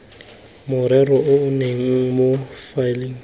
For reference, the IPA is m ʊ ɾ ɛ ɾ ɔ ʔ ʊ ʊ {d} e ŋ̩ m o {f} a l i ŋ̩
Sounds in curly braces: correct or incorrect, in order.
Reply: incorrect, correct

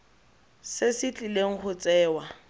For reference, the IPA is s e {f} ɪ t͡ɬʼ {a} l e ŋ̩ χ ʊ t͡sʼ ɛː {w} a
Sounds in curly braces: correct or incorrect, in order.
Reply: incorrect, incorrect, correct

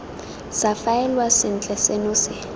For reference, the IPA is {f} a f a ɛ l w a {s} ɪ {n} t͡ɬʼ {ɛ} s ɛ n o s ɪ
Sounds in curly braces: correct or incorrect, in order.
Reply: incorrect, correct, correct, correct

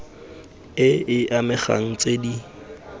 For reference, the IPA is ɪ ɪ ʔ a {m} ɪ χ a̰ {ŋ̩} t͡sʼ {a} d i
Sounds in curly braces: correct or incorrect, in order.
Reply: correct, correct, incorrect

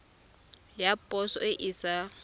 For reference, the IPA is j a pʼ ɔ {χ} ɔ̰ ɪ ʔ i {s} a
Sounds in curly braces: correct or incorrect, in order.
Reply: incorrect, correct

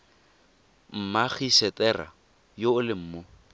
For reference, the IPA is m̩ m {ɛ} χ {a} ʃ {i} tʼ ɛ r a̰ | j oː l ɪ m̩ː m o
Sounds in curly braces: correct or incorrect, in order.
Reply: incorrect, incorrect, incorrect

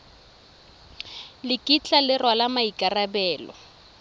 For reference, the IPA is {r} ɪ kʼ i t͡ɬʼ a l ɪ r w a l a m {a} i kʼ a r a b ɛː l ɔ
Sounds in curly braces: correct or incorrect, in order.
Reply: incorrect, correct

